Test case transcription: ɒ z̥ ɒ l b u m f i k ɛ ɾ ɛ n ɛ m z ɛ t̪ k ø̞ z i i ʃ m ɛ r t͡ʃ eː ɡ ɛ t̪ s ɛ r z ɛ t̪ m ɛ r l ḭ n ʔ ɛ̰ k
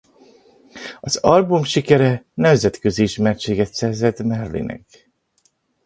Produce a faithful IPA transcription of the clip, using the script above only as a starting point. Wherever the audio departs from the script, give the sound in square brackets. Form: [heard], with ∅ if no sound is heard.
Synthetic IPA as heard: ɒ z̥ ɒ l b u m [ʃ] i k ɛ ɾ ɛ n ɛ m z ɛ t̪ k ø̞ z i i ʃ m ɛ r t͡ʃ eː ɡ ɛ t̪ s ɛ r z ɛ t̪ m ɛ r l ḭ n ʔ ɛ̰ k